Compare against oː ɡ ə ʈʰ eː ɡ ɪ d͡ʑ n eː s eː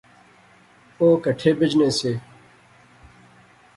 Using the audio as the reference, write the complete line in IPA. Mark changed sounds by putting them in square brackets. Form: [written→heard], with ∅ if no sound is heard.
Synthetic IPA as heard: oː [ɡ→k] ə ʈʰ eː [ɡ→b] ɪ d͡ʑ n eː s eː